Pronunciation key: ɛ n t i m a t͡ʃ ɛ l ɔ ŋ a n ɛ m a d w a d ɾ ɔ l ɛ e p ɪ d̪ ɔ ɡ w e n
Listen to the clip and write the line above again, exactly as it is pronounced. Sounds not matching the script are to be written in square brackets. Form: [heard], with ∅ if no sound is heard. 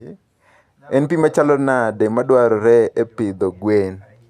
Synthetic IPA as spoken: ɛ n [p] i m a t͡ʃ [a] l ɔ [n] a [d] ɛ m a d w a [∅] ɾ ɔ [ɾ] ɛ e p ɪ d̪ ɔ ɡ w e n